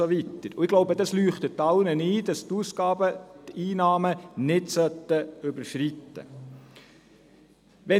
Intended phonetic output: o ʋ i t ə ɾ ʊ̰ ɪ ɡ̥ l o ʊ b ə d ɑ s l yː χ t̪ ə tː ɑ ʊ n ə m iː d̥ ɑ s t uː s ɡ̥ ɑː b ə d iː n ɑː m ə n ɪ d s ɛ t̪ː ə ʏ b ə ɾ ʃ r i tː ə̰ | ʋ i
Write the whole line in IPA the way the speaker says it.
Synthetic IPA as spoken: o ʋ i t ə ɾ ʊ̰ ɪ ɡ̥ l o ʊ b ə d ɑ s l yː χ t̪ ə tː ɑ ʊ n ə n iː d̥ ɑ s t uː s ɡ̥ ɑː b ə t iː n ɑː m ə n ɪ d s œ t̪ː ə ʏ b ə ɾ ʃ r i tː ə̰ | ʋ ɛ